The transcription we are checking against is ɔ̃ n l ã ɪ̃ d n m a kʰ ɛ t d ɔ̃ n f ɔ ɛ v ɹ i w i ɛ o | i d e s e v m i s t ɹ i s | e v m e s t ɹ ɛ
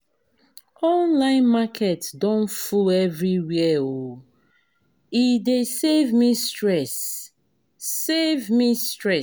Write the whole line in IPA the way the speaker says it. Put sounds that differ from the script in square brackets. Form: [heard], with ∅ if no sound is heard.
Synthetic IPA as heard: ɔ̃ n l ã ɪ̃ [∅] n m a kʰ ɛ t d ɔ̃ n f [u] ɛ v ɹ i w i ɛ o | i d e s e v m i s t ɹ [ɛ] s | e v m [i] s t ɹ ɛ